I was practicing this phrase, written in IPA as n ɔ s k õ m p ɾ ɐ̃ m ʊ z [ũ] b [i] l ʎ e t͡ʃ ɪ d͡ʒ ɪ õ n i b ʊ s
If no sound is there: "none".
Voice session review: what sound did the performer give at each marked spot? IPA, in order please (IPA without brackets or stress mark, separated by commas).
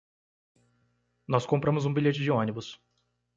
ũ, i